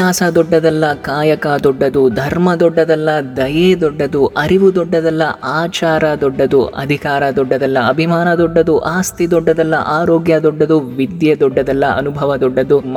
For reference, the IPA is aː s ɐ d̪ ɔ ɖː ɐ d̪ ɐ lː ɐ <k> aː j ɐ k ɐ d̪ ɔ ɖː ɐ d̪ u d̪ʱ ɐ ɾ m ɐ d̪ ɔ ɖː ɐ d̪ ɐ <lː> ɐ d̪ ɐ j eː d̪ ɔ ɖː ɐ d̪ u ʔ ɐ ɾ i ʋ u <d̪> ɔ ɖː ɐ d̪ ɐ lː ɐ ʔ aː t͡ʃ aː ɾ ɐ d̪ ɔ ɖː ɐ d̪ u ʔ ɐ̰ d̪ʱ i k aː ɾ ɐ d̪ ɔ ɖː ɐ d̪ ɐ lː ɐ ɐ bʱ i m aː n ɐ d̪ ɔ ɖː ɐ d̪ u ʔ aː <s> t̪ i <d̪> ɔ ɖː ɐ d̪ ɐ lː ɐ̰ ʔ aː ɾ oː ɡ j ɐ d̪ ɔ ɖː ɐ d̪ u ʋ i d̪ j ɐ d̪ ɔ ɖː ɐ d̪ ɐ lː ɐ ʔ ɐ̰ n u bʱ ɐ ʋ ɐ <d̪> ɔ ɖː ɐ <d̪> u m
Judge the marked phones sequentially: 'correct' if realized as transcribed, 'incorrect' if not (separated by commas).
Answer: correct, correct, correct, correct, correct, correct, correct